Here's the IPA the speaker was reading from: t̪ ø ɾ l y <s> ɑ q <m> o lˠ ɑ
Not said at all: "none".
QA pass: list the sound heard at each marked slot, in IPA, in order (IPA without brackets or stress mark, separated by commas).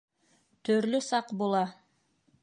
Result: s, b